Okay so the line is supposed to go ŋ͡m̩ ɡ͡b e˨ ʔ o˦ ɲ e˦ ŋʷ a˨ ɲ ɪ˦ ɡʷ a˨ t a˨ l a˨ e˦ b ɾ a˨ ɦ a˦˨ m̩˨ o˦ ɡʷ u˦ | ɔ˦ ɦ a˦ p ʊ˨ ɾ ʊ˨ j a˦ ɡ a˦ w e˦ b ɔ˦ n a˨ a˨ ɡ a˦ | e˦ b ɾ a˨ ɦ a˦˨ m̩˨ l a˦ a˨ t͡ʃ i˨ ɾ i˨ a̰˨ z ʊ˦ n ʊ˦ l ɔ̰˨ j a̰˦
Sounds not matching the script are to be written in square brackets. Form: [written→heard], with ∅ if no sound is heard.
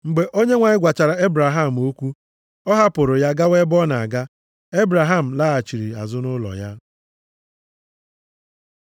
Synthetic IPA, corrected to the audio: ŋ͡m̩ ɡ͡b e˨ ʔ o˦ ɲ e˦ ŋʷ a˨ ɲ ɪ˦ ɡʷ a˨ [t→t͡ʃ] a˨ [l→ɾ] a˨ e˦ b ɾ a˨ ɦ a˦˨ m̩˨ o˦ [ɡʷ→kʷ] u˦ | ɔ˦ ɦ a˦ p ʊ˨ ɾ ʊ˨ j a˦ ɡ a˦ w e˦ b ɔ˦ n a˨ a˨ ɡ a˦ | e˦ b ɾ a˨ ɦ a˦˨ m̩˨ l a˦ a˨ t͡ʃ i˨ ɾ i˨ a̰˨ z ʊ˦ n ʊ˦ l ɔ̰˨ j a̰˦